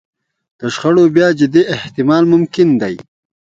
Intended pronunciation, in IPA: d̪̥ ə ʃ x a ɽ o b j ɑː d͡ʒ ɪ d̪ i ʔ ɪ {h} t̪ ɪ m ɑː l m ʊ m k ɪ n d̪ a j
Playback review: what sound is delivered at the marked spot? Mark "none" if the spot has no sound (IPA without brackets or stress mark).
h